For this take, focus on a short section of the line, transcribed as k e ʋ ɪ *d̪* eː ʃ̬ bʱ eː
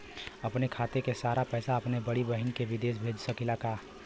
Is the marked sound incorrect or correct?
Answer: correct